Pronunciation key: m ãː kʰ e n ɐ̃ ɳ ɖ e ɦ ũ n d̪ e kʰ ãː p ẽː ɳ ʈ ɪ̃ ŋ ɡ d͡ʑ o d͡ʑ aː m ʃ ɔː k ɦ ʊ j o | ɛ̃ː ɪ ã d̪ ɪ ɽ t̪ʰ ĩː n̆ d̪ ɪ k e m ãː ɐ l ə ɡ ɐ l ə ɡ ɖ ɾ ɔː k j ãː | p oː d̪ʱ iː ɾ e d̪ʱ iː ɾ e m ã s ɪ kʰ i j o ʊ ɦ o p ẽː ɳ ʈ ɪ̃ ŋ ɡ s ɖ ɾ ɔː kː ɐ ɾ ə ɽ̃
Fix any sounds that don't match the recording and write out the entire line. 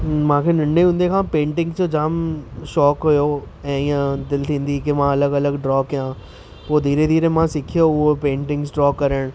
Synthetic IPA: m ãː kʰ e n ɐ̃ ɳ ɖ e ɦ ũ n d̪ e kʰ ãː p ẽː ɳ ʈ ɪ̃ ŋ ɡ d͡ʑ o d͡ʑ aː m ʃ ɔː k ɦ ʊ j o | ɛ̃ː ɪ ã d̪ ɪ l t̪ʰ ĩː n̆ d̪ i k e m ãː ɐ l ə ɡ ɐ l ə ɡ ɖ ɾ ɔː k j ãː | p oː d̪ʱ iː ɾ e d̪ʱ iː ɾ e m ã s ɪ kʰ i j o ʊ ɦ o p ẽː ɳ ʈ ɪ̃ ŋ ɡ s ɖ ɾ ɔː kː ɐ ɾ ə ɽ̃